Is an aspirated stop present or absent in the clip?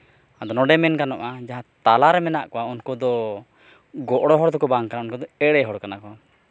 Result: absent